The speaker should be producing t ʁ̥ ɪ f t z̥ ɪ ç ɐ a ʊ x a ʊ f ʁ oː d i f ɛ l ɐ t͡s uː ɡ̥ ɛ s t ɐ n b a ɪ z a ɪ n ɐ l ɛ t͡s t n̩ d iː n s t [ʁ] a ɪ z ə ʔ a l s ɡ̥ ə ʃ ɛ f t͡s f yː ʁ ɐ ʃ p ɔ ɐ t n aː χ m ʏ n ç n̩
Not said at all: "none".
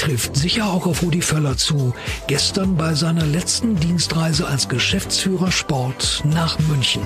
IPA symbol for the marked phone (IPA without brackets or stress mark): ʁ